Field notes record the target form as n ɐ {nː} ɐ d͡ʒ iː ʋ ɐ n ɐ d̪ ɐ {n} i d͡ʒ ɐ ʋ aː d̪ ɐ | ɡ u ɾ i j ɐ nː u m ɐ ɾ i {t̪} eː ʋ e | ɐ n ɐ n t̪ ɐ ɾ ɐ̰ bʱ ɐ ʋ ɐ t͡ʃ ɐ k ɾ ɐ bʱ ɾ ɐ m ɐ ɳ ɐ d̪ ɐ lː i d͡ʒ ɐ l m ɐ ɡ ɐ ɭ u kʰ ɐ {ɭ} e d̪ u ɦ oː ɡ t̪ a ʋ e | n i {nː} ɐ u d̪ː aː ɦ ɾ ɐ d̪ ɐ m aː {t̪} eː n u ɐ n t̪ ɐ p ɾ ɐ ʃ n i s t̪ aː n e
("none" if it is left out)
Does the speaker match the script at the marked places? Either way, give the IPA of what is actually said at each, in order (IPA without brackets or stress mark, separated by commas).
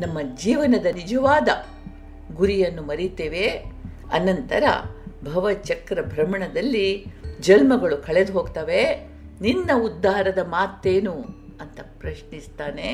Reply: mː, n, t̪, ɭ, nː, t̪